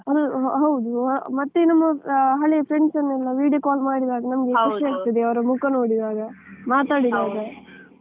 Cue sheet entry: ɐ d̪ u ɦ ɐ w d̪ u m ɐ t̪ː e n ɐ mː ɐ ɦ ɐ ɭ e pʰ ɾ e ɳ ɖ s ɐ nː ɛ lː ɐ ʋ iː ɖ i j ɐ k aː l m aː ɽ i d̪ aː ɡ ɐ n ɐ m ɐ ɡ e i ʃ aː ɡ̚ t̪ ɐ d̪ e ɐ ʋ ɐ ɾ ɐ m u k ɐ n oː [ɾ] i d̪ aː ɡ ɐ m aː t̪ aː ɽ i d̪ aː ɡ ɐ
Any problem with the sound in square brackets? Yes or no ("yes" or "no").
yes